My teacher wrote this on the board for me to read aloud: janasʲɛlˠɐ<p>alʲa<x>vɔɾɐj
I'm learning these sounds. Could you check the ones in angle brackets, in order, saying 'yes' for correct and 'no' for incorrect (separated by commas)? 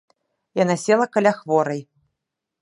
no, yes